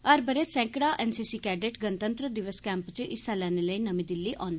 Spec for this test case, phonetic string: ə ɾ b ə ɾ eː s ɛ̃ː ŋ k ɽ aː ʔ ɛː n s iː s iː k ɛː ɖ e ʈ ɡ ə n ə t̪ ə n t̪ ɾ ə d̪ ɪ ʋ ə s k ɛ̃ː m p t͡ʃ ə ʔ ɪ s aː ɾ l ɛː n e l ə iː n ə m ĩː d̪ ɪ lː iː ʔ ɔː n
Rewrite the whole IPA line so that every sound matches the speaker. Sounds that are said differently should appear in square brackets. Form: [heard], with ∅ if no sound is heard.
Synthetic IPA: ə ɾ b ə ɾ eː s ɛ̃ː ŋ k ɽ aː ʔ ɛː n s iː s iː k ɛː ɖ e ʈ ɡ ə n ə t̪ ə n t̪ ɾ ə d̪ ɪ ʋ ə s k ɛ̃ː m p t͡ʃ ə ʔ ɪ s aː [∅] l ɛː n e l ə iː n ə m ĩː d̪ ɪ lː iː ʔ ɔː n